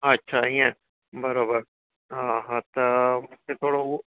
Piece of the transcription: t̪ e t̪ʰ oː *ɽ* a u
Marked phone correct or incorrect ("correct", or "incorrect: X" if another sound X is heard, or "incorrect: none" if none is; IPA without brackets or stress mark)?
correct